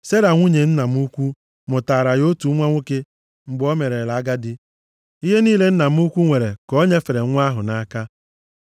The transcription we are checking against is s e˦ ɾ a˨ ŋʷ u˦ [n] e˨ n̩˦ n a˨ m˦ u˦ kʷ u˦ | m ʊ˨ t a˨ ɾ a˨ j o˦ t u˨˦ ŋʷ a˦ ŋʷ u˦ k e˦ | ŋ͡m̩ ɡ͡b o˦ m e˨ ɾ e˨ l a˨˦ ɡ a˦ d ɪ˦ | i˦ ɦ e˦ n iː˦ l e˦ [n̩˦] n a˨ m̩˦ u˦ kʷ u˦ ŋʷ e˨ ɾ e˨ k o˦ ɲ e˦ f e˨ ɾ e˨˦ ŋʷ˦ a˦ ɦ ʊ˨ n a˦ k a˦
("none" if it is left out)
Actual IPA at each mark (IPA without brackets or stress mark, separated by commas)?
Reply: ɲ, n̩˦